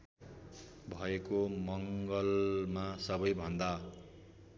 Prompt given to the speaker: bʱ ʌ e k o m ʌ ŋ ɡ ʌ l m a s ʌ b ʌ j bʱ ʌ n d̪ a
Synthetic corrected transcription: bʱ ʌ e k o m ʌ ŋ ɡ ʌ l m a s ʌ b ʌ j bʱ ʌ n d̪ a